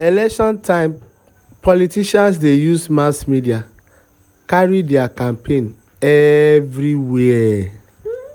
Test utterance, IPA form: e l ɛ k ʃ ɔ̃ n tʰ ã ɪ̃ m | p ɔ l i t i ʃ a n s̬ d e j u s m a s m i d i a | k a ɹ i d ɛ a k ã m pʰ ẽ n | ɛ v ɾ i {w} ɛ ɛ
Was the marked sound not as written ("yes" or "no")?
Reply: no